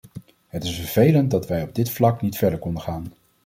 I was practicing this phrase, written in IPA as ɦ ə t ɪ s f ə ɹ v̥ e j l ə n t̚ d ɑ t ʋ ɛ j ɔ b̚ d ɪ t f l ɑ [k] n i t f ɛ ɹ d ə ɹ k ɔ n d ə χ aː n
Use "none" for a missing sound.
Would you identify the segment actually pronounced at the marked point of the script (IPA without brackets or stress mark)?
k